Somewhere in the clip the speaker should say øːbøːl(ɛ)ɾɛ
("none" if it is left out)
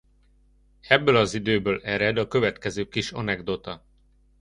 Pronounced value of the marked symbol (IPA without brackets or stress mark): ɛ